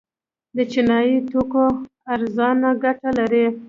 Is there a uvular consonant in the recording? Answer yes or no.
no